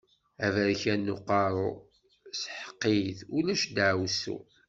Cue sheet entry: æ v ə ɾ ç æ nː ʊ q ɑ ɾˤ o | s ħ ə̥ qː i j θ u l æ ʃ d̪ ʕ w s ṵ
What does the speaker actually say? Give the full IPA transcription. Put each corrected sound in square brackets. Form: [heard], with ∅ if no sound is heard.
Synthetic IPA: æ v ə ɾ ç æ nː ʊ q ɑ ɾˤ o | s ħ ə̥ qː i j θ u l æ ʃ d̪ ʕ w s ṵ

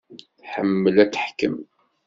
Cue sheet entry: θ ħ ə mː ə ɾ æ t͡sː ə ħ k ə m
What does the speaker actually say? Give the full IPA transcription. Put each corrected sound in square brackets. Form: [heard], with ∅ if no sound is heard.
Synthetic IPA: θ ħ ə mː ə [l] æ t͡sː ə ħ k ə m

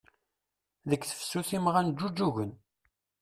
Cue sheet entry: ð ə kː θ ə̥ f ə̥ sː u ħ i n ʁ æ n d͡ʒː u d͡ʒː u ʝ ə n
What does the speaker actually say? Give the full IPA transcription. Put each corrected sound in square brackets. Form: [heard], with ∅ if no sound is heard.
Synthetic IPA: ð ə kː θ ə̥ f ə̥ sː u [θ] i [m] ʁ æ n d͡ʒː u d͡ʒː u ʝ ə n

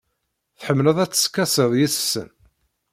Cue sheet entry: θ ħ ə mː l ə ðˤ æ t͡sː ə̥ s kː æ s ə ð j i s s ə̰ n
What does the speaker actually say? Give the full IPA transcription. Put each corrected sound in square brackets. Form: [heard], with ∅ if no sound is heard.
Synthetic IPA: θ ħ ə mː l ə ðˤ æ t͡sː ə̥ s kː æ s ə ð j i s s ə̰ n

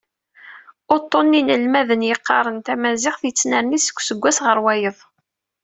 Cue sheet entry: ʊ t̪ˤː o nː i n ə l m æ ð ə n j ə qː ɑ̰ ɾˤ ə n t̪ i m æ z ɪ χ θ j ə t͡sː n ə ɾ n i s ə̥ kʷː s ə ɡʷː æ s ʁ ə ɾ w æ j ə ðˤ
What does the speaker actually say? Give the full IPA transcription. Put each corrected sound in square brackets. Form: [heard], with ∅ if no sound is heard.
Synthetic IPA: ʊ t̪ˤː o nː i n ə l m æ ð ə n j ə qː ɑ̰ ɾˤ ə n t̪ [æ] m æ z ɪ χ θ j ə t͡sː n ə ɾ n i s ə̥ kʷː s ə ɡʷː æ s ʁ ə ɾ w æ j ə ðˤ

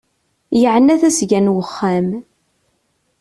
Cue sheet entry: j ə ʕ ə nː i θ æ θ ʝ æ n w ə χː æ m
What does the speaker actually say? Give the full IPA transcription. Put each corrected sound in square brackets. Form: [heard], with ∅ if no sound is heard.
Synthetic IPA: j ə ʕ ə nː [æ] θ æ [s] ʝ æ n w ə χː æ m

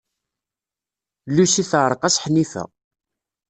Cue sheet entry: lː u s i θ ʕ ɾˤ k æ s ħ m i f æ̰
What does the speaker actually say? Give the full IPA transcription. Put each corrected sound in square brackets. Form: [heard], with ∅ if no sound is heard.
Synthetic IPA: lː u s i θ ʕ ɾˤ [q] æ s ħ [n] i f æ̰

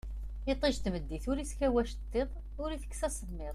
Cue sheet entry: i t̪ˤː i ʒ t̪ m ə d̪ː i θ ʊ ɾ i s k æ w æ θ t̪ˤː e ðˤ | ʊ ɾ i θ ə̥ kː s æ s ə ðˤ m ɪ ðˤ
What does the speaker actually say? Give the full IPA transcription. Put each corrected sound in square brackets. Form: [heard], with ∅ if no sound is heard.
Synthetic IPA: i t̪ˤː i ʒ t̪ m ə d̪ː i θ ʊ ɾ i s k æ w æ [ʃ] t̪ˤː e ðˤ | ʊ ɾ i θ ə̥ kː s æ s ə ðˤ m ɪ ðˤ

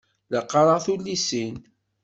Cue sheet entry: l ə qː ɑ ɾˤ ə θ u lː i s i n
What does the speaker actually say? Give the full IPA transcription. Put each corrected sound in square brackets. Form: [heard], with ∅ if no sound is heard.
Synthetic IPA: l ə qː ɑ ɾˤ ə θ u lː i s i n

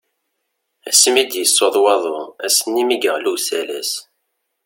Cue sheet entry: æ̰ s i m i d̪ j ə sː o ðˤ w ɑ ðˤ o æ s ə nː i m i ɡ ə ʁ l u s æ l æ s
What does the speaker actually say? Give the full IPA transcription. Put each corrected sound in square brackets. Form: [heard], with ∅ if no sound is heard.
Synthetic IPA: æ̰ s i m i d̪ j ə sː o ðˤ w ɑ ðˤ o æ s ə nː i m i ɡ ə ʁ l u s æ l æ s

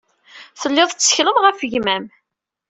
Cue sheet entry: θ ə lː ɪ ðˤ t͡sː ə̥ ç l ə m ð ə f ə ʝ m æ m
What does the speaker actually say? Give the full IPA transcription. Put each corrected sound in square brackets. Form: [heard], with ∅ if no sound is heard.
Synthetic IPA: θ ə lː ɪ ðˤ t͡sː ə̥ ç l ə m [ʁ] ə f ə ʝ m æ m

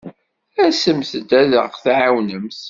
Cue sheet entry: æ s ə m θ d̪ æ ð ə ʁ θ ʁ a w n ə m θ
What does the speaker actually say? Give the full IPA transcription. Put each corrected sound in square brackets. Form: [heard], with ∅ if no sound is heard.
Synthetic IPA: æ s ə m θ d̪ æ ð ə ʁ θ [ʕ] a w n ə m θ

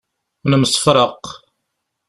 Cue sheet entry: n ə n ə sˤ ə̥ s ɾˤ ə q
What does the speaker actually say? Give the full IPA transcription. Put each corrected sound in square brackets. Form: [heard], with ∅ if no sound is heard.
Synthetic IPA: n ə [m] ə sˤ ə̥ [f] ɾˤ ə q

